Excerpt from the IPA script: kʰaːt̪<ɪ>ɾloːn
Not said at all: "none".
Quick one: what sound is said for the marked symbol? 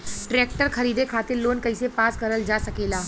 ɪ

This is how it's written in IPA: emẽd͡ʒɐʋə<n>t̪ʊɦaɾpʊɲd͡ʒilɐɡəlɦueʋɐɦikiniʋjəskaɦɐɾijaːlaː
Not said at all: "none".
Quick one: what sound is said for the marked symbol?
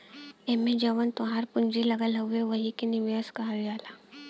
n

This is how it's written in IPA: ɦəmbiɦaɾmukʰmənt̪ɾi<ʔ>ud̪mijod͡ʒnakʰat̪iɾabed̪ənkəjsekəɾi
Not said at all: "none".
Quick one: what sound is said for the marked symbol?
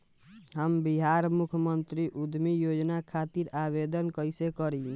ʔ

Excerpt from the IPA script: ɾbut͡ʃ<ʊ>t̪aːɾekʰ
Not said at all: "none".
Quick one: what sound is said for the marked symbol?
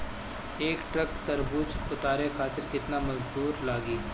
ʊ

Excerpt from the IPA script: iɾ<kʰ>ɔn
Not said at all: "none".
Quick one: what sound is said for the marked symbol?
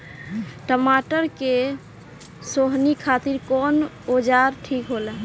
k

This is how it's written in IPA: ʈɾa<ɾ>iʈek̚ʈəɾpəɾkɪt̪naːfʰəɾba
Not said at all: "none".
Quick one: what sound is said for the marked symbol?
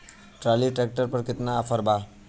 l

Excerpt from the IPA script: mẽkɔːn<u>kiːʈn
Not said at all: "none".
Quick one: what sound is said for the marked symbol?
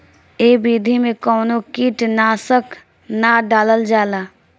o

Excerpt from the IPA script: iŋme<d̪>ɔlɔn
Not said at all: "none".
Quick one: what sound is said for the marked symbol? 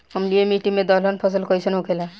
d̪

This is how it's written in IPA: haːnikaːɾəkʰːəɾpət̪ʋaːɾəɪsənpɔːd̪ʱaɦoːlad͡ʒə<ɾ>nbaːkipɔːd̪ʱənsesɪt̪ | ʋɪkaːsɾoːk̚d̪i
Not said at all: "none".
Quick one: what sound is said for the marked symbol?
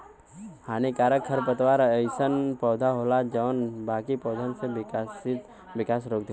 none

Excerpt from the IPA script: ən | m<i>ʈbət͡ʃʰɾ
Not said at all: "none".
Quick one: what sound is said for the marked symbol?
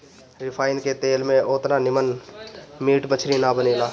iː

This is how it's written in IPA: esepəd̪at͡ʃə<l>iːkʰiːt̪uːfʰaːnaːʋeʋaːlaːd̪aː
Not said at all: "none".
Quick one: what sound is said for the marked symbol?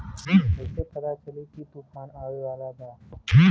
l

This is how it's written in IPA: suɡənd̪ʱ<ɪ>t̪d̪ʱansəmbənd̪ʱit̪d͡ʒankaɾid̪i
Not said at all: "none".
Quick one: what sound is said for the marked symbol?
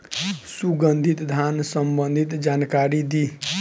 i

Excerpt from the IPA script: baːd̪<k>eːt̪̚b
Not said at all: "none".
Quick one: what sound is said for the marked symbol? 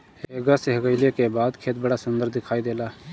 kʰ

